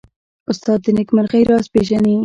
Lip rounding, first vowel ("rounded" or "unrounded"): rounded